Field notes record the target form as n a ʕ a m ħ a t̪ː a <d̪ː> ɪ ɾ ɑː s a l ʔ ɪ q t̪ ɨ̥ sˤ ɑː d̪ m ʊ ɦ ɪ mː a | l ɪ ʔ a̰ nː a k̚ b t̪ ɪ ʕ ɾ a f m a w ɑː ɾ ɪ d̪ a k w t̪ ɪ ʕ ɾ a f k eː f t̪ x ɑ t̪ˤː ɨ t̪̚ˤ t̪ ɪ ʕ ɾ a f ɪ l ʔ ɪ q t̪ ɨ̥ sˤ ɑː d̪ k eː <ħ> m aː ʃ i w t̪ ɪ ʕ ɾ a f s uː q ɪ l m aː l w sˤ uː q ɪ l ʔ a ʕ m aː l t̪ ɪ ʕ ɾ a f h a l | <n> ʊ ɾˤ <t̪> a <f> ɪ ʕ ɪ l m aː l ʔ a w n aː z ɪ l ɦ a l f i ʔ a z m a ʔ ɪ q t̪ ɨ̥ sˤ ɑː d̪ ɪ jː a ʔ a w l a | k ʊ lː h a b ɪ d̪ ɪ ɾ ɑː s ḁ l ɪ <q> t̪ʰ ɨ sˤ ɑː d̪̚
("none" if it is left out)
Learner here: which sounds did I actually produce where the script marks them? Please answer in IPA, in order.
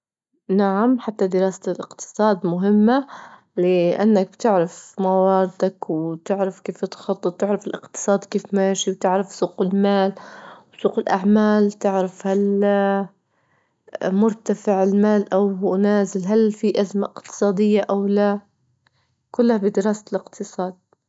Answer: d̪, f, m, t̪, f, q

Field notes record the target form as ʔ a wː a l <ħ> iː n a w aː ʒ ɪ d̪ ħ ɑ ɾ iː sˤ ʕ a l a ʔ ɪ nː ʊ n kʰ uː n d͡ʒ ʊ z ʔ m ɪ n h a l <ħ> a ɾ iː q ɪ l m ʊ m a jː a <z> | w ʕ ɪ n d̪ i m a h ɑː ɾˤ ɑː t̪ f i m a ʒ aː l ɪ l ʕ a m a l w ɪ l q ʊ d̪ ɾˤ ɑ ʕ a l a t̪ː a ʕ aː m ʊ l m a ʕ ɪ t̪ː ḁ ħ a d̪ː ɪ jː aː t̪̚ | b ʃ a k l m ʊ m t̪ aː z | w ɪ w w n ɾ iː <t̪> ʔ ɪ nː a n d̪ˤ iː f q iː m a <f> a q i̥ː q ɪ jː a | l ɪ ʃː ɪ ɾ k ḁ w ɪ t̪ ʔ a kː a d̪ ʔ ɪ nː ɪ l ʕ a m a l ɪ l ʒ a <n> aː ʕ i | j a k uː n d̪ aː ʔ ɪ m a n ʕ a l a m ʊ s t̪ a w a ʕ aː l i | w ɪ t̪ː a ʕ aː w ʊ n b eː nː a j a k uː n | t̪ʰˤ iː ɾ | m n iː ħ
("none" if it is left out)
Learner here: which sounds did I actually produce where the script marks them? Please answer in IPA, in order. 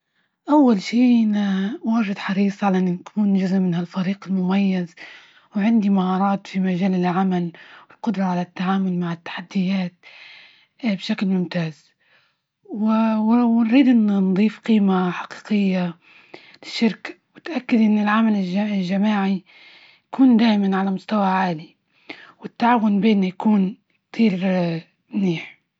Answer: ʃ, f, z, d̪, ħ, m

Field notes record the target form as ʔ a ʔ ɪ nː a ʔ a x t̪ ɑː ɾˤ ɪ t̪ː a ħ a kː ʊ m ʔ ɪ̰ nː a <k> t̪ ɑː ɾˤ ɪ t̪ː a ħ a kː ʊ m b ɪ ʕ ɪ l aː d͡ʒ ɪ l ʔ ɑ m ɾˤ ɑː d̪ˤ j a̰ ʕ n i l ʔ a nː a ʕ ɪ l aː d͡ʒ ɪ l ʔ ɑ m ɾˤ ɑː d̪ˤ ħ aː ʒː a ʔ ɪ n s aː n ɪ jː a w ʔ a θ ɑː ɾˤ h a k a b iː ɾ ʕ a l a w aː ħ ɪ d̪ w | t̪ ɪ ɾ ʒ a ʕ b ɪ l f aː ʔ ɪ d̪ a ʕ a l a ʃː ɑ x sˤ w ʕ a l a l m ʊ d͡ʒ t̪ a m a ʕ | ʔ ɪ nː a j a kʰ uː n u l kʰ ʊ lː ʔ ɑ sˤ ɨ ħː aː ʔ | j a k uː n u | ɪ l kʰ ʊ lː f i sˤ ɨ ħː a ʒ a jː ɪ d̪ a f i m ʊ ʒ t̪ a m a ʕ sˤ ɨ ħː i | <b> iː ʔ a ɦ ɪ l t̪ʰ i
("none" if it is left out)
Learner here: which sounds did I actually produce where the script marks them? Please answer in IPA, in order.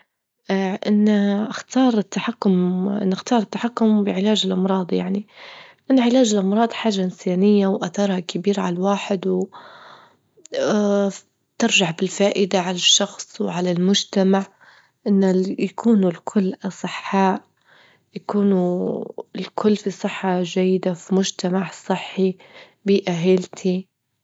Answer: x, b

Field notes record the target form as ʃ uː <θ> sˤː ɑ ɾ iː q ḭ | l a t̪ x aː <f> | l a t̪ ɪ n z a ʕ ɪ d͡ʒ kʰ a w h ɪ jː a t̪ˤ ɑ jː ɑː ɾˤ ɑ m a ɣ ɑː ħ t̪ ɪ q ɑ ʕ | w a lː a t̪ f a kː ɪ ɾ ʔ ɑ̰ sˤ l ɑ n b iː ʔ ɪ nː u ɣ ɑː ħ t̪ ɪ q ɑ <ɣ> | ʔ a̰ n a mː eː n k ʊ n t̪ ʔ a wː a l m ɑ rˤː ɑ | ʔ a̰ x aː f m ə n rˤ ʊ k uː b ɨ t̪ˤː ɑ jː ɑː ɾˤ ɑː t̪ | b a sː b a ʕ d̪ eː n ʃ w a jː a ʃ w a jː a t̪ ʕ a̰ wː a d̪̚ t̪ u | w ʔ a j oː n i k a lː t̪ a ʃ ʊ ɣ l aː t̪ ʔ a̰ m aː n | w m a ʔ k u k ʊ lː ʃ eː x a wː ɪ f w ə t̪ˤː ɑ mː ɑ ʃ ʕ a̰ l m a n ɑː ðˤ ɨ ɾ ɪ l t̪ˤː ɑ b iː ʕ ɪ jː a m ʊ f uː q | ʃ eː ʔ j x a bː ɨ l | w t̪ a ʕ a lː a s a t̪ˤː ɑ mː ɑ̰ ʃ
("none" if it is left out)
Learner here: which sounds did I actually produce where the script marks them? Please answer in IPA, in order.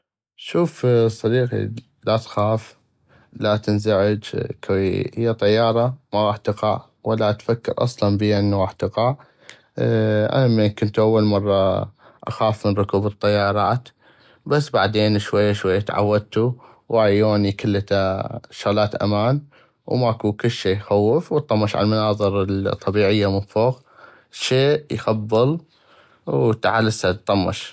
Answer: f, f, ʕ

